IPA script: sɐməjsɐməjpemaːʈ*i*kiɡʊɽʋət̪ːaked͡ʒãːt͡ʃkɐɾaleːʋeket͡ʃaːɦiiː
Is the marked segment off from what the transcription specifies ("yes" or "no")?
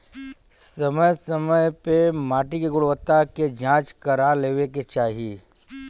no